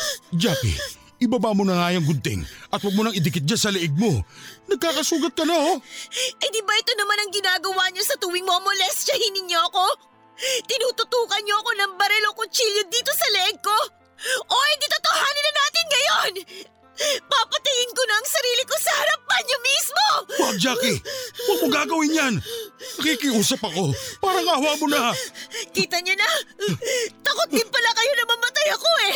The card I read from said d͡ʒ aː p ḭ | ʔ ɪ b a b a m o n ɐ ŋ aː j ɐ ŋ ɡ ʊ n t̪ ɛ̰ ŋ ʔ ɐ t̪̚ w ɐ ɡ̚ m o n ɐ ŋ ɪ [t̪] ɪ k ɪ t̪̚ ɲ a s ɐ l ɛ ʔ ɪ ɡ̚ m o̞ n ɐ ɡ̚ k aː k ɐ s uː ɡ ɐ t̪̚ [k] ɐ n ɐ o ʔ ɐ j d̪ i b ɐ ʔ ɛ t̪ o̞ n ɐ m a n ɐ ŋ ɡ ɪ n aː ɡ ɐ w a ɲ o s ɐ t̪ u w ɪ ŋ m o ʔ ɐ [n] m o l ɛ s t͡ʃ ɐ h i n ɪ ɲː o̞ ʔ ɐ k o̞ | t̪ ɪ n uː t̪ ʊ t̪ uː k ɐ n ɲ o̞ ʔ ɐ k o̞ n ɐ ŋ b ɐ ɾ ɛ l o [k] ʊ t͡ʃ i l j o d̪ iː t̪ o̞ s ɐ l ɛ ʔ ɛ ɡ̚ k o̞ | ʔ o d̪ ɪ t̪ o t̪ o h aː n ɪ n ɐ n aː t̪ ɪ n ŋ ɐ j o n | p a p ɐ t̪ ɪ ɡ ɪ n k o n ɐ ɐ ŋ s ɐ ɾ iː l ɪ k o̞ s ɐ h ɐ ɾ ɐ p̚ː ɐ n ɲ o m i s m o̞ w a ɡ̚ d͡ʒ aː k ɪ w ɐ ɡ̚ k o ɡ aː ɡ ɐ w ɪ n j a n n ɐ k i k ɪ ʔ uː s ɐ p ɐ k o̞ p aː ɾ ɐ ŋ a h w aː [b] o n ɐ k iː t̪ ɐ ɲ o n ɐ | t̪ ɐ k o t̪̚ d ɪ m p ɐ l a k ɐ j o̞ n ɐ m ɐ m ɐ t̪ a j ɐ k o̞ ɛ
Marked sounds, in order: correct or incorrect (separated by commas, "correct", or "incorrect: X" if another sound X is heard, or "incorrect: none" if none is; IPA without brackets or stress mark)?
incorrect: d̪, correct, incorrect: ŋ, correct, incorrect: m